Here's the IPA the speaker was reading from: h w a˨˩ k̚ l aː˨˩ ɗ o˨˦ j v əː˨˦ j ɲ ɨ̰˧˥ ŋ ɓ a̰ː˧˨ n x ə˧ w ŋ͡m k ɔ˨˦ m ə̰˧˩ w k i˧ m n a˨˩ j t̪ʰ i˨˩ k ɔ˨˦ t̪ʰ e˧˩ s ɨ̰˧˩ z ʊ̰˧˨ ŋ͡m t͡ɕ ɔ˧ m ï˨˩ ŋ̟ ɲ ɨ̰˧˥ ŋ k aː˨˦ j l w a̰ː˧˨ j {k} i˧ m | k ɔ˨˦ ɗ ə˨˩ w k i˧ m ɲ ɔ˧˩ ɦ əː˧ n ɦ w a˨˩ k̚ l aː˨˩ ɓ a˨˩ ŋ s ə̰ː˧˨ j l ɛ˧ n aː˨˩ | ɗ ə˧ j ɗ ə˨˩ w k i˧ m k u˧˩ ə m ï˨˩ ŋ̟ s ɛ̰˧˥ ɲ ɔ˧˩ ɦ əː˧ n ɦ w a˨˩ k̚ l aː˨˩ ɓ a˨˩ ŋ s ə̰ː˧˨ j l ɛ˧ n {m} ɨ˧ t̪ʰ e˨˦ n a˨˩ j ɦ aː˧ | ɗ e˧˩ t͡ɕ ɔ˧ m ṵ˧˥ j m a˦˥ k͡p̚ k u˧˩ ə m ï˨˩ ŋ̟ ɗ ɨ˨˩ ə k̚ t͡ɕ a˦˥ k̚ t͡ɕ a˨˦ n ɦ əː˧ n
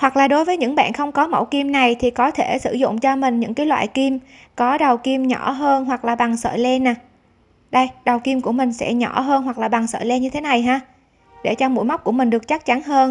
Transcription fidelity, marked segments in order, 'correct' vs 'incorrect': correct, incorrect: ɲ

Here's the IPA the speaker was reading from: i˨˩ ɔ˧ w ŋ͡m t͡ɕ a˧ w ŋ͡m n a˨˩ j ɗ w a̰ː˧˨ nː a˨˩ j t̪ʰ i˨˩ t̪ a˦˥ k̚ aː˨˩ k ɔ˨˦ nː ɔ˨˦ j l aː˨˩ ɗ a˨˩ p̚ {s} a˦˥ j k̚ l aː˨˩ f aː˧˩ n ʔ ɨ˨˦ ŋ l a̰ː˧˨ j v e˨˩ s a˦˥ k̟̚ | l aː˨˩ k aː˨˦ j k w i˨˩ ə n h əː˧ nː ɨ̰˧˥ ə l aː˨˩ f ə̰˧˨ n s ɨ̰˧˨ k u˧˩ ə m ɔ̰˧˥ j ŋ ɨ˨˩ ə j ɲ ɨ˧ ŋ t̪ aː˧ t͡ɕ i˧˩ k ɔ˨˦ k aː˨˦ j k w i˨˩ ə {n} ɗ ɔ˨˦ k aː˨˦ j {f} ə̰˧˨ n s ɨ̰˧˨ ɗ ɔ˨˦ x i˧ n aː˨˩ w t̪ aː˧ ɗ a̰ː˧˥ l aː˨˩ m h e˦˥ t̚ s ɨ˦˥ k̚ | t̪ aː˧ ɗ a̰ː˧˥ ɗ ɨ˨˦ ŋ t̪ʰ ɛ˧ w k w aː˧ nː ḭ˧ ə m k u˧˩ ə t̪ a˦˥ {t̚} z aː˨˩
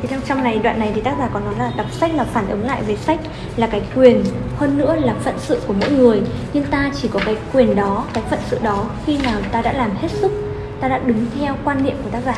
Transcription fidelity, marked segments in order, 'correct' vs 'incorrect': correct, correct, correct, incorrect: k̚

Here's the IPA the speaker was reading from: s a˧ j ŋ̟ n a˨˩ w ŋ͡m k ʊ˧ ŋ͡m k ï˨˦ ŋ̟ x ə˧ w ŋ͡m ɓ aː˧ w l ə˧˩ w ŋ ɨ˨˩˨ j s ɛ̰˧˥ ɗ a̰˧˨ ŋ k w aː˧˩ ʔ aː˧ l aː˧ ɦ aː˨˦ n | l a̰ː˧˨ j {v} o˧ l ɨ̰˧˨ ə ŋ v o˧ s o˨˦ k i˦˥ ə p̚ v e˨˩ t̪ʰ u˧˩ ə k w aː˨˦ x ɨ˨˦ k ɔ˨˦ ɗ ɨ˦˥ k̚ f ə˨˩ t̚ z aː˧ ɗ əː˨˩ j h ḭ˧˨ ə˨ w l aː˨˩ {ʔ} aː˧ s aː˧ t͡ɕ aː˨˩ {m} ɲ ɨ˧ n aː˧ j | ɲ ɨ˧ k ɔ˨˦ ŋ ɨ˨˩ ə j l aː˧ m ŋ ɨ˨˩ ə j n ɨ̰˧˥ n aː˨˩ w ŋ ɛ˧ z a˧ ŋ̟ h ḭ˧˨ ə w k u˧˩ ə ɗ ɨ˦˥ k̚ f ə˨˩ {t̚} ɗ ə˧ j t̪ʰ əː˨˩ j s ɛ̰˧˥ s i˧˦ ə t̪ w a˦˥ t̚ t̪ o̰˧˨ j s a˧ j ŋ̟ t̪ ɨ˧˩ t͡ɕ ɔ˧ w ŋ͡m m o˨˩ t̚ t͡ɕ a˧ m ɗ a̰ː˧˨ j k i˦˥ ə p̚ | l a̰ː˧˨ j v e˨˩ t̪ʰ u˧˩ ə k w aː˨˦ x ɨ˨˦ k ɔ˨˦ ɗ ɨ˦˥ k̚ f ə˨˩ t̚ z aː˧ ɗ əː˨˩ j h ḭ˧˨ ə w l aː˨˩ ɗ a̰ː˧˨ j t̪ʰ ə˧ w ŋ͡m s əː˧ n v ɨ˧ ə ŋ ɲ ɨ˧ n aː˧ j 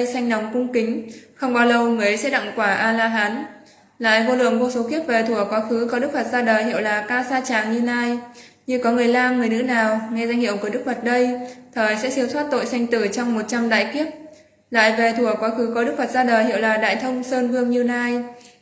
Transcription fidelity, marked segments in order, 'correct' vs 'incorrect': correct, incorrect: k, incorrect: ŋ, correct

